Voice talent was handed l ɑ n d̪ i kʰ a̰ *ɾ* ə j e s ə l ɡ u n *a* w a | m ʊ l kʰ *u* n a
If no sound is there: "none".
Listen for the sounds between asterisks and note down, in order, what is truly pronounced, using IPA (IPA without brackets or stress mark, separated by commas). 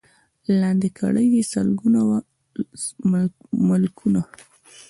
ɽ, a, u